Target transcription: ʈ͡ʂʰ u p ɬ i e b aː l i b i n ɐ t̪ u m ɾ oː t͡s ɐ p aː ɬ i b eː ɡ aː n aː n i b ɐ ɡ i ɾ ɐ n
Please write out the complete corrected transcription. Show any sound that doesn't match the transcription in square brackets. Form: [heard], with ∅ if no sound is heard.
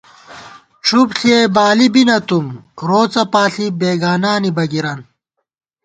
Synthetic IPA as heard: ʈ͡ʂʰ u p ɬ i e b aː l i b i n ɐ t̪ u m ɾ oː t͡s ɐ p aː ɬ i b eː ɡ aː n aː n i b ɐ ɡ i ɾ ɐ n